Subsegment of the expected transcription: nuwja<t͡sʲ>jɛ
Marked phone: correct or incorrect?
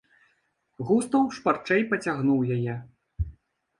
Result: incorrect